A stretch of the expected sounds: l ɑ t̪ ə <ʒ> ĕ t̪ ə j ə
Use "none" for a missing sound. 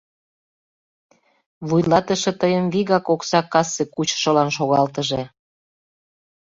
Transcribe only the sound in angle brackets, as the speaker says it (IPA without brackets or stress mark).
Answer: ʃ